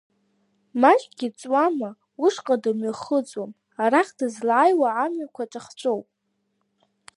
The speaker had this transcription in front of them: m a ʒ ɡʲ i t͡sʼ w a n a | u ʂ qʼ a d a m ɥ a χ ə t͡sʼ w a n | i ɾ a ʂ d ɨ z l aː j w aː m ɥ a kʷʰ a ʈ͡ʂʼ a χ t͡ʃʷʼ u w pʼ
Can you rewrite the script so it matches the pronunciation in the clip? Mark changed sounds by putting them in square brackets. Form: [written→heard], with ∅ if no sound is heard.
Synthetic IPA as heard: m a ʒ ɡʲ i t͡sʼ w a [n→m] a | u ʂ qʼ a d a m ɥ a χ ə t͡sʼ w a [n→m] | [i→a] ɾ a [ʂ→χ] d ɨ z l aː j w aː m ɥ a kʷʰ a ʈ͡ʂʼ a χ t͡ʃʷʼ [u→o] w pʼ